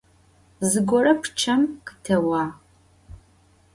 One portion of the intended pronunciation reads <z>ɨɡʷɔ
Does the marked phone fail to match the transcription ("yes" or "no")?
no